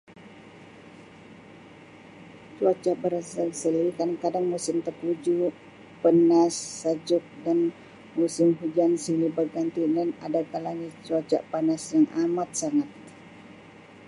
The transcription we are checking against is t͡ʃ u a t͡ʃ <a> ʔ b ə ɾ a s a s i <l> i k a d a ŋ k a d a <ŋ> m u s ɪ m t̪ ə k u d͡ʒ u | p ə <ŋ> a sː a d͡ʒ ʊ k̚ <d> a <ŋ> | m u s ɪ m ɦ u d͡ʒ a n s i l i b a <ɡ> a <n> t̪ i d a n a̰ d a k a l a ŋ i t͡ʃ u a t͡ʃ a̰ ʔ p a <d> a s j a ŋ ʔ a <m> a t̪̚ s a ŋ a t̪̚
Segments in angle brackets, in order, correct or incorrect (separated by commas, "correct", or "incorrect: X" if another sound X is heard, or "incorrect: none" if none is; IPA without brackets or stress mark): correct, correct, correct, incorrect: n, correct, incorrect: n, correct, correct, incorrect: n, correct